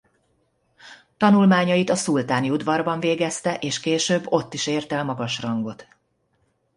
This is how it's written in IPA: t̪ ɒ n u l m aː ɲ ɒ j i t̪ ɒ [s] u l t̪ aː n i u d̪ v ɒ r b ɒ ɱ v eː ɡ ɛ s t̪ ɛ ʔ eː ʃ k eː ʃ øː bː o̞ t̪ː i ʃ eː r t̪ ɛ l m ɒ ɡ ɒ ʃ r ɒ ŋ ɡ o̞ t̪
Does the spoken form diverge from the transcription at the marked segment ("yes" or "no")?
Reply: no